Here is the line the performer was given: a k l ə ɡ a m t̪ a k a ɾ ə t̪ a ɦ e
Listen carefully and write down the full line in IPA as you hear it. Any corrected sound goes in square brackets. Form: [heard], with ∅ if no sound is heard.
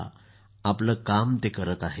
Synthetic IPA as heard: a [p] l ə [k] a m t̪ [e] k [ə] ɾ ə t̪ a ɦ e